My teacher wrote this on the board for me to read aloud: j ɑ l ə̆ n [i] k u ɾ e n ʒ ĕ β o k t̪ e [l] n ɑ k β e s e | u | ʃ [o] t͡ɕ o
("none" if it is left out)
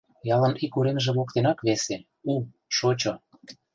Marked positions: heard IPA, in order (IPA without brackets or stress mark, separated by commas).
i, none, o